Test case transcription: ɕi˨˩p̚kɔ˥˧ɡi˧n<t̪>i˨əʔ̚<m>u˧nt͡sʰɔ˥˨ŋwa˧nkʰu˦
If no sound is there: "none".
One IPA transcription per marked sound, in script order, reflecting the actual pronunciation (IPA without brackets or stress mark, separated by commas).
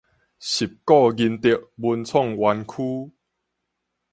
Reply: t̪, b